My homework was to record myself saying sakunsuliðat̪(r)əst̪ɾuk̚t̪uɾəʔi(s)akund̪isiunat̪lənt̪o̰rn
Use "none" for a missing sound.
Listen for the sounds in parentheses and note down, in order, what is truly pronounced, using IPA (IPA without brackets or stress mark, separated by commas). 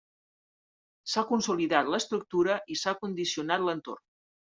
l, s